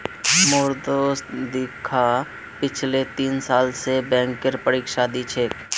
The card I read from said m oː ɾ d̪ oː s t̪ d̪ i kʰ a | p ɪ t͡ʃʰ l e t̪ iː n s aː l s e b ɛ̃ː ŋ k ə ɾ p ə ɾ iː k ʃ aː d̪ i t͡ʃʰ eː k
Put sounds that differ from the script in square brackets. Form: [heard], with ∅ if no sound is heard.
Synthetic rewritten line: m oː ɾ d̪ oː s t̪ d̪ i kʰ a | p ɪ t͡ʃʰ l e t̪ iː n s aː l s e b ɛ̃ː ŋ k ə ɾ p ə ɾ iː k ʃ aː d̪ i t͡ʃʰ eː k